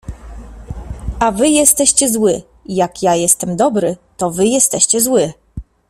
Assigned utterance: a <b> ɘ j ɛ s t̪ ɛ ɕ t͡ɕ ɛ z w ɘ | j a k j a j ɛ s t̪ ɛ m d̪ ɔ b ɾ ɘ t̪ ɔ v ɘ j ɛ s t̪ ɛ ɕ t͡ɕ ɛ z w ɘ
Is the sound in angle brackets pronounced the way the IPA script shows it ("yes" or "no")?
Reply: no